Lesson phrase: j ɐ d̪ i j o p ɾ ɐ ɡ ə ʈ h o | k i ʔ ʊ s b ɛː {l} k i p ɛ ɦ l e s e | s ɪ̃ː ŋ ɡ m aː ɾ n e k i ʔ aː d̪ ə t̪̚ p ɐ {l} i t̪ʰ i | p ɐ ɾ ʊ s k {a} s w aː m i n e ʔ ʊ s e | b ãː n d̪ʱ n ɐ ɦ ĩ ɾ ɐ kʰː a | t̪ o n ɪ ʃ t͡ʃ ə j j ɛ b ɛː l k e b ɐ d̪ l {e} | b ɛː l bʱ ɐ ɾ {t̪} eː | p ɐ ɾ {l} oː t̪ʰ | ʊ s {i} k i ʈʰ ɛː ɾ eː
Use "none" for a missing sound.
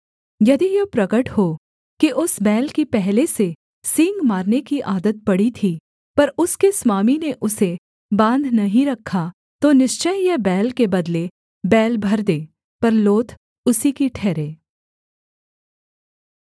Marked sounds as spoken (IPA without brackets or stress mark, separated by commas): l, ɽ, e, e, d̪, l, i